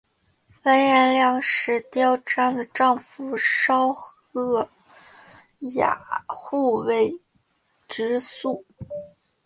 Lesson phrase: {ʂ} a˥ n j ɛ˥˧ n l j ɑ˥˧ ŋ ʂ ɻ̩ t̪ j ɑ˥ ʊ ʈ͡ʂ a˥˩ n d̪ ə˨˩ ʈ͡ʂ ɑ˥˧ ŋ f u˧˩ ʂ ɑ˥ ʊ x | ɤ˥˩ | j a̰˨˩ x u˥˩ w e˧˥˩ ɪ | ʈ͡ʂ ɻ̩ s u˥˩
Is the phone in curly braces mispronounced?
yes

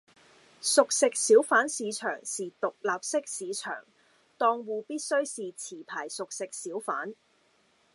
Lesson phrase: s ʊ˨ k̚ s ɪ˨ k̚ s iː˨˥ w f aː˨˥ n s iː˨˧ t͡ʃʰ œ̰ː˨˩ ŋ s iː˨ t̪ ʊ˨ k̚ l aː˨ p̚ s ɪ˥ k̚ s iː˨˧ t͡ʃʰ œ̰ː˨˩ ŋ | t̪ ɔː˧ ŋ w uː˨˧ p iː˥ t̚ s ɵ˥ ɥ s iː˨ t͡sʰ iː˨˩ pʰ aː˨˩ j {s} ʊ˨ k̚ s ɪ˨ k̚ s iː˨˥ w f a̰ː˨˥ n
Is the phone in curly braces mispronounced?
no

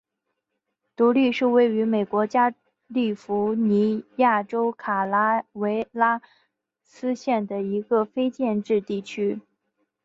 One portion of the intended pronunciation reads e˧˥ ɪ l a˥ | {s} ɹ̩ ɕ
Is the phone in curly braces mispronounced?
no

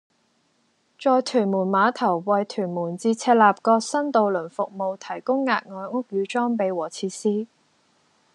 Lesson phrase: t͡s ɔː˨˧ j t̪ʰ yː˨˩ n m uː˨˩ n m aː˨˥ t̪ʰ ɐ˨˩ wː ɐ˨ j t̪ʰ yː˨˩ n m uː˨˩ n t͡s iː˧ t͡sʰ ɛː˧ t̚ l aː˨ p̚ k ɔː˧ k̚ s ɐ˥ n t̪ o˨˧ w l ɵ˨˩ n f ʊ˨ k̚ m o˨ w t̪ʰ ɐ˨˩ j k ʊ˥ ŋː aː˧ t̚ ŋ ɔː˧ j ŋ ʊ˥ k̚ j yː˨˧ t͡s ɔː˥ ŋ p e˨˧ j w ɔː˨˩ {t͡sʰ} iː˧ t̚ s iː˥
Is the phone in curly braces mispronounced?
no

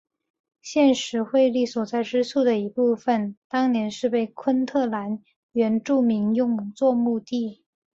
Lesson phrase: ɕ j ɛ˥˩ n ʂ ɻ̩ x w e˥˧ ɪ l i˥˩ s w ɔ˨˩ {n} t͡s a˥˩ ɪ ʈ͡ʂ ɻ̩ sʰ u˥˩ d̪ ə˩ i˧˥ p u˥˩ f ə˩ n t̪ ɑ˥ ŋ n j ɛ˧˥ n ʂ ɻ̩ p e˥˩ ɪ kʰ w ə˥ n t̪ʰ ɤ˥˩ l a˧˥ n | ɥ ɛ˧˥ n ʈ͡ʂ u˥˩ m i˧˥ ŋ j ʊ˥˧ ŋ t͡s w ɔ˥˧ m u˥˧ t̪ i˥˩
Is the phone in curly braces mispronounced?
yes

